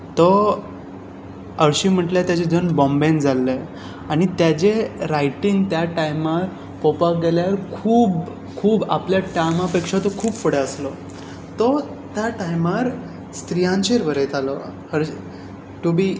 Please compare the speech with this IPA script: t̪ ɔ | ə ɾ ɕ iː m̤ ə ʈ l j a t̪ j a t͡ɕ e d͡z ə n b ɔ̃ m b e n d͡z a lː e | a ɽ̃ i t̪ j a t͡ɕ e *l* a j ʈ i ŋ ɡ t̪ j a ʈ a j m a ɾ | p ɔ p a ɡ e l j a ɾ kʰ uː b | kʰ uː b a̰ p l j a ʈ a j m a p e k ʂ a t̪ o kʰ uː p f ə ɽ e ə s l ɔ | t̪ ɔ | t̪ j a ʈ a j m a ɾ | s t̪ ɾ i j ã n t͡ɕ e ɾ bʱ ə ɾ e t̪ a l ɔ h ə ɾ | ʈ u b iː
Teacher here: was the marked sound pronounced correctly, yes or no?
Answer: no